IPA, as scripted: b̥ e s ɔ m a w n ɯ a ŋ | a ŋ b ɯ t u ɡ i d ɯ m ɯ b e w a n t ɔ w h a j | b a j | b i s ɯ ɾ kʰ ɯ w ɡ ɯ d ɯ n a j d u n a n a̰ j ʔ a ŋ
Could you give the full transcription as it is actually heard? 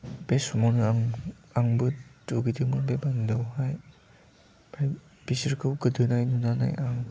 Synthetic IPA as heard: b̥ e s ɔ m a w n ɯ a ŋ | a ŋ b ɯ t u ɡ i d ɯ m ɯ b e b a n d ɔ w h a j | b a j | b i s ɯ ɾ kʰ ɯ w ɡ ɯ d ɯ n a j n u n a n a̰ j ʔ a ŋ